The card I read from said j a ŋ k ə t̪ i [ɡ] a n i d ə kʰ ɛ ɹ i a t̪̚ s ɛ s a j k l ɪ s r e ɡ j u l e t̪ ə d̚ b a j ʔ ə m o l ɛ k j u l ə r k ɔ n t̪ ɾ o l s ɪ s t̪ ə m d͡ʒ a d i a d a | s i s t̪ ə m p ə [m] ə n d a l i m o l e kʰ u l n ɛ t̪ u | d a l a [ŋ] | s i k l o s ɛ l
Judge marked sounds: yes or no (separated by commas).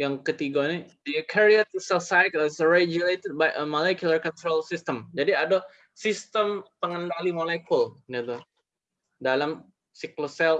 yes, no, no